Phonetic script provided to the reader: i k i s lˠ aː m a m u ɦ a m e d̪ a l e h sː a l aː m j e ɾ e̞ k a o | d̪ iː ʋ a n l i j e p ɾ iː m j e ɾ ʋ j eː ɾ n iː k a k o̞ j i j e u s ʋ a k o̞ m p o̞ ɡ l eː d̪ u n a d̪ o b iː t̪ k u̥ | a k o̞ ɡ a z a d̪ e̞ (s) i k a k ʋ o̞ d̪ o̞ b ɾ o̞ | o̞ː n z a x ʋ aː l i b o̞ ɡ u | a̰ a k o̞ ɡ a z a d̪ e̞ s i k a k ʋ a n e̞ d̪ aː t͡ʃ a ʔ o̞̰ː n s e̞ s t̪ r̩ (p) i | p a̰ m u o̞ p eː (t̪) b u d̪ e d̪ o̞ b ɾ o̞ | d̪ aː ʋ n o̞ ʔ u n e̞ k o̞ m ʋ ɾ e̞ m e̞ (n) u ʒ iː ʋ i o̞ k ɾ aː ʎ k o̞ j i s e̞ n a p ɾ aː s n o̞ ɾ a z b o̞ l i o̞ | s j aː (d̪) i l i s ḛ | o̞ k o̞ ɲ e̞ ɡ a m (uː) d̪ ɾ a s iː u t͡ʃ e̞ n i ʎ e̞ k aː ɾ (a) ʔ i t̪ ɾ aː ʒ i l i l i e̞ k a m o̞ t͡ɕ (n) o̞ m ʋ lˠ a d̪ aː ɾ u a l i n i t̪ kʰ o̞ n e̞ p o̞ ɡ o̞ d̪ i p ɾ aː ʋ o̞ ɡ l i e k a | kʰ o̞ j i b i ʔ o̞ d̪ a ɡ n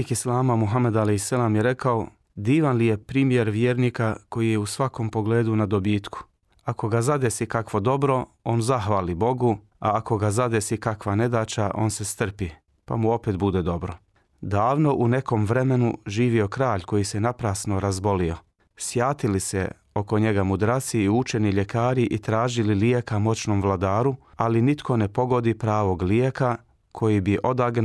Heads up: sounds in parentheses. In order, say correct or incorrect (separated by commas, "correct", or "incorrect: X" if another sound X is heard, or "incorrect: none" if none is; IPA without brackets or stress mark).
correct, correct, correct, correct, incorrect: t̪, incorrect: u, incorrect: i, correct